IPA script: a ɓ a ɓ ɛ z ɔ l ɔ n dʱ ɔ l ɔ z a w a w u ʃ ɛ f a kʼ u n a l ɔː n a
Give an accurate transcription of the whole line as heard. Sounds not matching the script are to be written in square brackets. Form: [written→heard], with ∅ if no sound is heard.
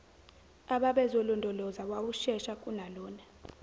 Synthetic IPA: a ɓ a ɓ ɛ z ɔ l ɔ n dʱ ɔ l ɔ z a w a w u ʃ ɛ [f→ʃ] a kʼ u n a l ɔː n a